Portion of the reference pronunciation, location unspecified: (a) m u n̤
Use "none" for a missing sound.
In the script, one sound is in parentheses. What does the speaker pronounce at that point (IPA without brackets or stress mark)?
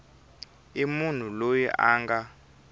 i